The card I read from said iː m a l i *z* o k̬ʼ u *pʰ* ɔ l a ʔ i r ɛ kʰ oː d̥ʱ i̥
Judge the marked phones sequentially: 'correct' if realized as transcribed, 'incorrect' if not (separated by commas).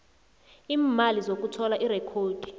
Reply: correct, incorrect